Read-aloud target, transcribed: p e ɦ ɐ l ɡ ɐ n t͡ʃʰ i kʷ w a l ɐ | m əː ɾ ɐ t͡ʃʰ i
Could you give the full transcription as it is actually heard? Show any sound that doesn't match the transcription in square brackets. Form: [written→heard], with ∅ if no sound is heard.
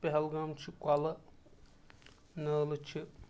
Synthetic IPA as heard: p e ɦ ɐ l ɡ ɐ [n→m] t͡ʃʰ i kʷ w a l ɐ | [m→n] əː [ɾ→l] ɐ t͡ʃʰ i